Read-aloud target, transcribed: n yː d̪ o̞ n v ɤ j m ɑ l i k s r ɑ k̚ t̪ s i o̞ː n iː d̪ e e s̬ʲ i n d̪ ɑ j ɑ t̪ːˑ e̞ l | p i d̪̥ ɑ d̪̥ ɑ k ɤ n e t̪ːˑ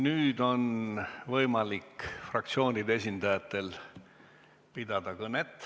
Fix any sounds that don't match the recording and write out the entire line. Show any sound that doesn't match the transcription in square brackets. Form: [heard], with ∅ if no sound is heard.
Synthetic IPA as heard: n yː d̪ o̞ n v ɤ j m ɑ l i k [f] r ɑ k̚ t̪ s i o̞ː n [i] d̪ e e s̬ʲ i n d̪ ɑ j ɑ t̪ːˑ e̞ l | p i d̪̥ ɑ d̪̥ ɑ k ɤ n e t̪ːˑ

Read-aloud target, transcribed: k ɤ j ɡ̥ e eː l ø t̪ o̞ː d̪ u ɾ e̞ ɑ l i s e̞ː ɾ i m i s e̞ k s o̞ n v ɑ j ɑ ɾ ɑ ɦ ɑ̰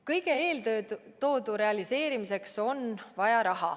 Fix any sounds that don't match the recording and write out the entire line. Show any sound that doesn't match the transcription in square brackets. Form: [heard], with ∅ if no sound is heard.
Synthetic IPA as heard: k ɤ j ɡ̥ e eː l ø t̪ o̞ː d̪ u ɾ e̞ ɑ l i s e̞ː ɾ i m i s e̞ k s o̞ n v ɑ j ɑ ɾ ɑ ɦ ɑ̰

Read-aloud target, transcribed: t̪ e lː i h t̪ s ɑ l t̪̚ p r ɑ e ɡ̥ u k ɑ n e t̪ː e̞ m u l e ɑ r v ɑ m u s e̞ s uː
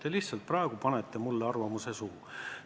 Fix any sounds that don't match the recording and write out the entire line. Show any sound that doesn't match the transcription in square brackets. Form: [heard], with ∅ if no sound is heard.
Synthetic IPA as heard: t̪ e [l] i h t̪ s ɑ l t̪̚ p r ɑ e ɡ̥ u [p] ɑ n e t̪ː e̞ m u [lː] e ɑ r v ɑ m u s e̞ s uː

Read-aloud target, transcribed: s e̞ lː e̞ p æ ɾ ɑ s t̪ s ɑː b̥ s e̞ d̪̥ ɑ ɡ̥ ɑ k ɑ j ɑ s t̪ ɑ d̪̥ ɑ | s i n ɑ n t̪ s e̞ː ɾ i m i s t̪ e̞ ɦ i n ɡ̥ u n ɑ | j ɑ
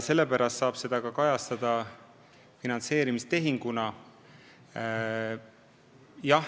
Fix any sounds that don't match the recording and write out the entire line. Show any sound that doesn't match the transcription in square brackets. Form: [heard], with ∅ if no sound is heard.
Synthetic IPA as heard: s e̞ lː e̞ p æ ɾ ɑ s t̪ s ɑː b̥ s e̞ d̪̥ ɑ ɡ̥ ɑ k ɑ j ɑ s t̪ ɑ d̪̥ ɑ | [f] i n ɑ n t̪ s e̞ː ɾ i m i s t̪ e̞ ɦ i [ŋ] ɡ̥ u n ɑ | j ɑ

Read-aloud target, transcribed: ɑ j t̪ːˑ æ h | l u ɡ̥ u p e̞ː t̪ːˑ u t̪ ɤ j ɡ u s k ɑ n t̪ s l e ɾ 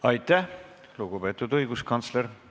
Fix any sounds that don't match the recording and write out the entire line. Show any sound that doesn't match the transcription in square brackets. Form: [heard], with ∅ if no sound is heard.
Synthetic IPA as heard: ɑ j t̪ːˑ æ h | l u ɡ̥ u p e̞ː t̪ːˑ u [d̪] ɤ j ɡ u s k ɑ n t̪ s l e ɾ

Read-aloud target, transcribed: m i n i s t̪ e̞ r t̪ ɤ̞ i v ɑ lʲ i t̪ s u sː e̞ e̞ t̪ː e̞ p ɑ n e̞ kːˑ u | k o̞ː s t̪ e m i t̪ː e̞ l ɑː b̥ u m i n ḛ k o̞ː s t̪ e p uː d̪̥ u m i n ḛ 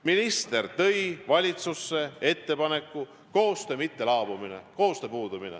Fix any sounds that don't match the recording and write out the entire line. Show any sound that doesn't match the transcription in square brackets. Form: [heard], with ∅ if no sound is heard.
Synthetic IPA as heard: m i n i s t̪ e̞ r t̪ ɤ̞ [j] v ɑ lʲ i t̪ s u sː e̞ e̞ t̪ː e̞ p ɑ n e̞ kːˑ u | k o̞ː s t̪ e m i t̪ː e̞ l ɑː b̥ u m i n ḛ k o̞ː s t̪ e p uː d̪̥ u m i n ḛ

